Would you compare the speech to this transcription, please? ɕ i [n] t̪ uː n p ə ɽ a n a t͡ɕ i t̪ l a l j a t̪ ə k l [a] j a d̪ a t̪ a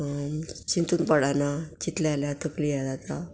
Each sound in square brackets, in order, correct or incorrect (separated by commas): correct, incorrect